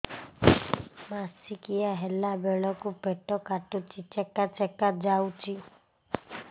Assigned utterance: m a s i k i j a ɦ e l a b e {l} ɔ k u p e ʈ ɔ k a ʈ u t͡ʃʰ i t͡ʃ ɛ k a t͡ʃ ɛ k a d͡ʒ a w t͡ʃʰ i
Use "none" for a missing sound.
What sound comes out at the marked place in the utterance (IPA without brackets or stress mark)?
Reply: ɭ